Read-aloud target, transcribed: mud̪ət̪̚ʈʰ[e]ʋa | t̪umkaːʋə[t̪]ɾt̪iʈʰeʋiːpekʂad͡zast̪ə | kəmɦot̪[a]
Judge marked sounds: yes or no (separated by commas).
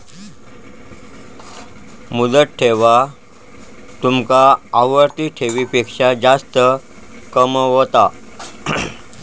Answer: yes, no, yes